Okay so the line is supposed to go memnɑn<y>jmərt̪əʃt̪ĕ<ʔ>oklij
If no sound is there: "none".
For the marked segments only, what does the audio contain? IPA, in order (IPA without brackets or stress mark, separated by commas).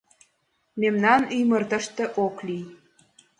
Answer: y, ʔ